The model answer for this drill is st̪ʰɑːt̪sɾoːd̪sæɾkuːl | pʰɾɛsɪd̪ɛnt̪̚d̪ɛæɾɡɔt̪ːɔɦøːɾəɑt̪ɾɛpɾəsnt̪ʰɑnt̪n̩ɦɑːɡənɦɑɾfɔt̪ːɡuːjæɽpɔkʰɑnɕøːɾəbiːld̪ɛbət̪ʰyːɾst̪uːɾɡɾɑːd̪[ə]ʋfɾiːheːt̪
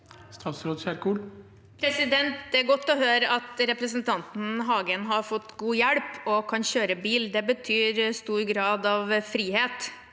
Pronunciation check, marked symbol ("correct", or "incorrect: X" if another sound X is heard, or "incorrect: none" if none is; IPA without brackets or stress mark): incorrect: ɑ